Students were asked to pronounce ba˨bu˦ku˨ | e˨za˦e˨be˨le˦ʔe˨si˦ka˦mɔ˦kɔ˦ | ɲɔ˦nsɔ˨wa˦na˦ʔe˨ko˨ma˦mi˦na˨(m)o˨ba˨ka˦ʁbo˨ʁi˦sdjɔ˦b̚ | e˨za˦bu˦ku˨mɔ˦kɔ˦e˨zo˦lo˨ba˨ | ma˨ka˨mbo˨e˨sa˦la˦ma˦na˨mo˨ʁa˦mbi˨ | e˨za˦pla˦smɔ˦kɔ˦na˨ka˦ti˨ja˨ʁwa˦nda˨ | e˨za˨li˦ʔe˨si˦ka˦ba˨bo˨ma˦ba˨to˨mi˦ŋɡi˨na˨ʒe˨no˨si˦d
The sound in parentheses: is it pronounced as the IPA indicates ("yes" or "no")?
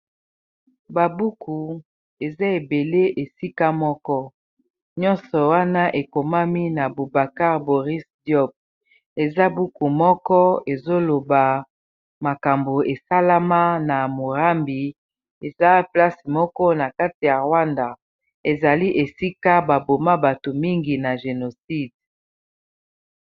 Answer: no